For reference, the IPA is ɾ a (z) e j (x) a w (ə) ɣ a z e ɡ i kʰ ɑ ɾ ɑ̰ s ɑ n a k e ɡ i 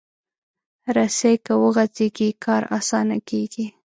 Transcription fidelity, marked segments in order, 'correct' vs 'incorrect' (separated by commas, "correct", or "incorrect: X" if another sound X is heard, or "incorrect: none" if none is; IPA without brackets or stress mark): incorrect: s, incorrect: k, correct